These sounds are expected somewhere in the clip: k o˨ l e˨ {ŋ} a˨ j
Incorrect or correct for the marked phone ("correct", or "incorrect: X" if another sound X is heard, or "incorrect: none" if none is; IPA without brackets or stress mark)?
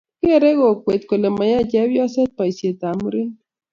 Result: incorrect: m